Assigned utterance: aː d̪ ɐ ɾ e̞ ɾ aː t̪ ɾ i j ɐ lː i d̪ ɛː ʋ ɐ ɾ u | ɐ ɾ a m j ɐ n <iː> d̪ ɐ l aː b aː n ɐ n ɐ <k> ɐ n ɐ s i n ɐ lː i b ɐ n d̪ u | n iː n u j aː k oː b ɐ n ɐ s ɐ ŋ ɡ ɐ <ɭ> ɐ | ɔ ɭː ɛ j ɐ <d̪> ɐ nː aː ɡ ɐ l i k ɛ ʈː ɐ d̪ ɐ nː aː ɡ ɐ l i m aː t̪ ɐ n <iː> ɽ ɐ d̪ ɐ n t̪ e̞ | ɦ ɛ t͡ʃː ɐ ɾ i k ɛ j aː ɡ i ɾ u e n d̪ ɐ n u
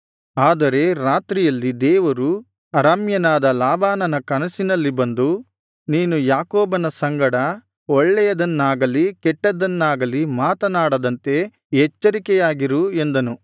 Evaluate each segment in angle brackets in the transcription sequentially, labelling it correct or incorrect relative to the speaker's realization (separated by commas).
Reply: incorrect, correct, incorrect, correct, incorrect